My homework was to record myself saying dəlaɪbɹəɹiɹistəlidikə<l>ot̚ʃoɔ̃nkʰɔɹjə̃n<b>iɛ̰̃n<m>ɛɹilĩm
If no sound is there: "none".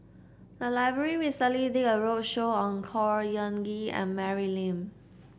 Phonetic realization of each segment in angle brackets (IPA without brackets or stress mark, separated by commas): ɹ, ɡ, m